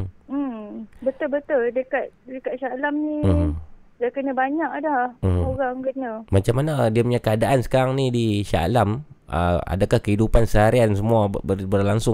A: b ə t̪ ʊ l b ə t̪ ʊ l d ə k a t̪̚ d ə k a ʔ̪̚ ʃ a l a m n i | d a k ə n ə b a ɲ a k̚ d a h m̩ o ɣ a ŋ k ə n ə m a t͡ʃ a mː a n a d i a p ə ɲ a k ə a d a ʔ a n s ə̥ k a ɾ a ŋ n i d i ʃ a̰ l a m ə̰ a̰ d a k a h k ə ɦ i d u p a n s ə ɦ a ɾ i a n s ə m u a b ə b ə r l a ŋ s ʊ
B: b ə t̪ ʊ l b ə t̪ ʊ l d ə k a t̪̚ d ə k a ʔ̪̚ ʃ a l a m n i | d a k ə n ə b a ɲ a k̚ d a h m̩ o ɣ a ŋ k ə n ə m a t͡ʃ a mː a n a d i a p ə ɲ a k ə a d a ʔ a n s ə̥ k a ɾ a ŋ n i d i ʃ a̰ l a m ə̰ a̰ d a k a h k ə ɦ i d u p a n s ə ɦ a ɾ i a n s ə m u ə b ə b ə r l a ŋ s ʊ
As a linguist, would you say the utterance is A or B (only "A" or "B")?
A